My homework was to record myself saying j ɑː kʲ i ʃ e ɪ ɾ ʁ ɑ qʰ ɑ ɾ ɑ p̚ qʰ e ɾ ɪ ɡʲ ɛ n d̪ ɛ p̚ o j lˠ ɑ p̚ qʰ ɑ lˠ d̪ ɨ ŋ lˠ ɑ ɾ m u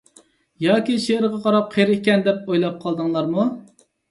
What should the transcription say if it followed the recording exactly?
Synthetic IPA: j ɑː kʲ i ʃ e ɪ ɾ ʁ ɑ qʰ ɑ ɾ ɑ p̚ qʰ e ɾ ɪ kʲ ɛ n d̪ ɛ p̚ o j lˠ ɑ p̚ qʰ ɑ lˠ d̪ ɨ ŋ lˠ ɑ ɾ m u